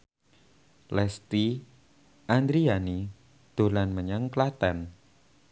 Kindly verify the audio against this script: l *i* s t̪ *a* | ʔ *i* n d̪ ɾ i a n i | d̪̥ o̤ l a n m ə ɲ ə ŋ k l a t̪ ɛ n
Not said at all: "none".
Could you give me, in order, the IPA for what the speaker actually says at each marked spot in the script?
ɛ, i, a

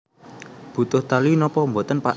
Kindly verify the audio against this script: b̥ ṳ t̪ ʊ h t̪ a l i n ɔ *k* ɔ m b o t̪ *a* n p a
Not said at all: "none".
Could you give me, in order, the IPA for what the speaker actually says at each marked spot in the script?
p, ə

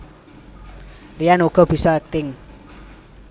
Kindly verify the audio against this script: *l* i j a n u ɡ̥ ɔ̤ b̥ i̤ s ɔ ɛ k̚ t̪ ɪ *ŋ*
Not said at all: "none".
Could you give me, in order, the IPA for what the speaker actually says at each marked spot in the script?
r, ŋ

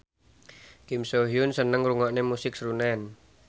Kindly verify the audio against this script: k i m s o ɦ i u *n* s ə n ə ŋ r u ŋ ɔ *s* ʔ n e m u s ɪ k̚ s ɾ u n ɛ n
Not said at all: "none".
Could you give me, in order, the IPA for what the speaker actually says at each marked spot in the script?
n, none

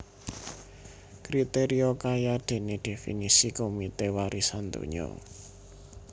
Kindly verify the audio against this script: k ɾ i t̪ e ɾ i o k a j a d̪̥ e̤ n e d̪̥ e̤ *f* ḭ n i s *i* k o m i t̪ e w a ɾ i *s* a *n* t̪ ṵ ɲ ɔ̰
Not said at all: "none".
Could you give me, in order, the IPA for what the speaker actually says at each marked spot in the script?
f, i, s, n

